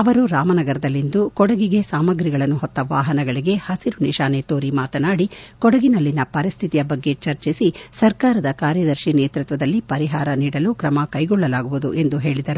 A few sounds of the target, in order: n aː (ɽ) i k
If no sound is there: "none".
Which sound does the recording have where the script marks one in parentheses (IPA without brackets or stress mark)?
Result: ɽ